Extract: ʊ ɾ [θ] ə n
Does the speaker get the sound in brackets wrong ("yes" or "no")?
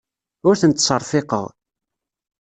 no